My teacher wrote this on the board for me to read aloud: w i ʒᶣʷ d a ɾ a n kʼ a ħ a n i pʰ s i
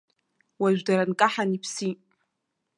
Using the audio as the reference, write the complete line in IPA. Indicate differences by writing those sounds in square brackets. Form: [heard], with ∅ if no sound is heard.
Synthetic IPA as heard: w [a] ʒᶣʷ d a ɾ a n kʼ a ħ a n i pʰ s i

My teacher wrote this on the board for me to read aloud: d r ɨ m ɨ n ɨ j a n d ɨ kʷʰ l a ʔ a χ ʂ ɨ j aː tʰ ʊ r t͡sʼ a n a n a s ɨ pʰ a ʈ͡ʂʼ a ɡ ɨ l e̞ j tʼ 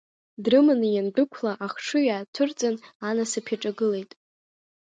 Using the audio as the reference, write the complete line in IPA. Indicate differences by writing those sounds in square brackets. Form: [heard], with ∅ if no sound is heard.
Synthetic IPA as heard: d r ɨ m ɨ n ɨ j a n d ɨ kʷʰ l a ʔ a χ ʂ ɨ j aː tʰ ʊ r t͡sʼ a n a n a s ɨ pʰ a ʈ͡ʂʼ a ɡ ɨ l e̞ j tʼ

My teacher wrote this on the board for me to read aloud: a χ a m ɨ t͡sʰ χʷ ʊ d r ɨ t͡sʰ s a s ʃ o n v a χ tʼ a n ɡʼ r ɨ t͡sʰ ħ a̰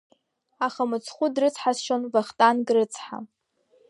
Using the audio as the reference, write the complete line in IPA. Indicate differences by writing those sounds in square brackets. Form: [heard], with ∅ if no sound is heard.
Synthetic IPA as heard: a χ a m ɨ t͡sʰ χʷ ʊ d r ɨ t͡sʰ [ħ] a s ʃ o n v a χ tʼ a n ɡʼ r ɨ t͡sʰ ħ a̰

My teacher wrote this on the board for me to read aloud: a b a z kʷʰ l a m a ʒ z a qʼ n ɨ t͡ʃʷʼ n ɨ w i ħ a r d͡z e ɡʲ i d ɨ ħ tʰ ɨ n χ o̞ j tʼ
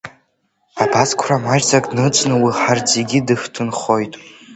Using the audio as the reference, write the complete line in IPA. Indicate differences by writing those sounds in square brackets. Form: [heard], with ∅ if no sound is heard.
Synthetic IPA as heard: a b a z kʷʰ [r] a m a ʒ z a [kʼ] n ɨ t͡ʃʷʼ n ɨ w i ħ a r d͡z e ɡʲ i d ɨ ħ tʰ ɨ n χ o̞ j tʼ

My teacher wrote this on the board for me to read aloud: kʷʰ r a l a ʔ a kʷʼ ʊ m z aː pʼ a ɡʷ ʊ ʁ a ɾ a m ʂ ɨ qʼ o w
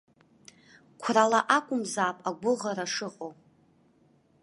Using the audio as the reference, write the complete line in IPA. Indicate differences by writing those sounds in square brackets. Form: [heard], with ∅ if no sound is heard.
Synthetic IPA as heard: kʷʰ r a l a ʔ a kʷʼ ʊ m z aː pʼ a ɡʷ ʊ ʁ a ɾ a [∅] ʂ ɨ qʼ o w

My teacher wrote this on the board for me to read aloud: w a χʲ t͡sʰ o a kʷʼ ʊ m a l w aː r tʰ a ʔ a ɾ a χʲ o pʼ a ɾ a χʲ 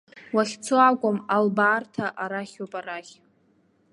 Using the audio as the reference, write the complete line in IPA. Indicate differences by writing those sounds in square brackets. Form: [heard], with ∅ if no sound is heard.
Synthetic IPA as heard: w a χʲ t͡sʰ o a kʷʼ ʊ m a l [b] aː r tʰ a ʔ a ɾ a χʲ o pʼ a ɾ a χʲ

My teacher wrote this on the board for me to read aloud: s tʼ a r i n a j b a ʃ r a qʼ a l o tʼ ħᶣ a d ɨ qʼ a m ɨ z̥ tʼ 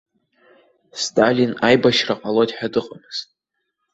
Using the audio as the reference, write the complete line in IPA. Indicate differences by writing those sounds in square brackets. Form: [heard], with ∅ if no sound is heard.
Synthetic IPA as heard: s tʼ a [l] i n a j b a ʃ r a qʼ a l o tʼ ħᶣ a d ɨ qʼ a m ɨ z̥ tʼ

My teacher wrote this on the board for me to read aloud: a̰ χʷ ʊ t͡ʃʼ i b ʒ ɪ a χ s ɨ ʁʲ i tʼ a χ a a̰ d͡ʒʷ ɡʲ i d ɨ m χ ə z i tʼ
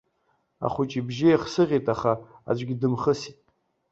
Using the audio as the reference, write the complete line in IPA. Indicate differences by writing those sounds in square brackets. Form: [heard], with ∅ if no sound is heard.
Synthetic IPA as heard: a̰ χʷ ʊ t͡ʃʼ i b ʒ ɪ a χ s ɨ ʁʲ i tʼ a χ a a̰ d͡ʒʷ ɡʲ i d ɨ m χ ə [s] i tʼ

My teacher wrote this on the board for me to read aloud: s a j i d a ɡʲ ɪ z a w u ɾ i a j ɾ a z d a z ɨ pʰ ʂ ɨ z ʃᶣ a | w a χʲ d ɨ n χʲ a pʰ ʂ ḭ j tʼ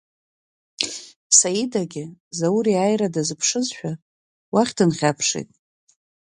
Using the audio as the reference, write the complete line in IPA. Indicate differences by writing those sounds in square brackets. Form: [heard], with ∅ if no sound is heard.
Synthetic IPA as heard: s a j i d a ɡʲ ɪ z a w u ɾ i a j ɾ a [∅] d a z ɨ pʰ ʂ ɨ z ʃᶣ a | w a χʲ d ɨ n χʲ a pʰ ʂ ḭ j tʼ

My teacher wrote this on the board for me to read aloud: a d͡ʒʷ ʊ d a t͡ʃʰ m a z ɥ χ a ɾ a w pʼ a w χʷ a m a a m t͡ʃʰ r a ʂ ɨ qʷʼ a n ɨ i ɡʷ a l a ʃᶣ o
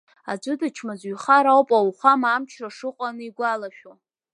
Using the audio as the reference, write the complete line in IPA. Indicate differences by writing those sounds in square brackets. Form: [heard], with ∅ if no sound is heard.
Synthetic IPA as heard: a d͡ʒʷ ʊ d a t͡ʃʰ m a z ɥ χ a ɾ a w pʼ a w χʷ a m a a m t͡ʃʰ r a ʂ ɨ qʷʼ a n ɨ i ɡʷ a l a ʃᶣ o

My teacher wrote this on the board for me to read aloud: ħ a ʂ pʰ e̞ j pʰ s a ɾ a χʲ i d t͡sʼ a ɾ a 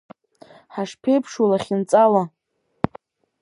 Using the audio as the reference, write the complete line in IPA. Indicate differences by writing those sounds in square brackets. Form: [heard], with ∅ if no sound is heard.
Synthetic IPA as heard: ħ a ʂ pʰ e̞ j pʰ [ʂ] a [l] a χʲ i [n] t͡sʼ a [l] a

